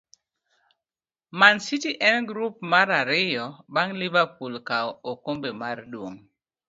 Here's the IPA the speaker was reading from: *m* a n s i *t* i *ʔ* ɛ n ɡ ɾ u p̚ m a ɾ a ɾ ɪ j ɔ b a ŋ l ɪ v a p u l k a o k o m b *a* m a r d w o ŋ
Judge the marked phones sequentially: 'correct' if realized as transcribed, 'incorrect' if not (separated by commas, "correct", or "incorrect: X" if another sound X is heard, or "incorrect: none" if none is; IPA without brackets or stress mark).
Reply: correct, correct, correct, incorrect: e